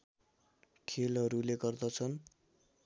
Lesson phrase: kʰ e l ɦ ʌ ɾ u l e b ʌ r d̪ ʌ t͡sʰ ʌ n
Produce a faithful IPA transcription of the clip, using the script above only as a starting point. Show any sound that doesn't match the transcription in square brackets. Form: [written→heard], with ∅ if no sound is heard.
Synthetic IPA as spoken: kʰ e l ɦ ʌ ɾ u l e [b→ɡ] ʌ r d̪ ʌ t͡sʰ ʌ n